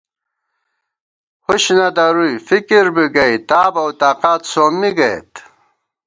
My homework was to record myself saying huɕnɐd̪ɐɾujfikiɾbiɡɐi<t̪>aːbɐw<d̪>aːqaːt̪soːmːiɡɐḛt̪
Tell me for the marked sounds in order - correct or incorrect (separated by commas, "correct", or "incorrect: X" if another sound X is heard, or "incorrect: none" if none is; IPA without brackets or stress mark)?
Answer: correct, incorrect: t̪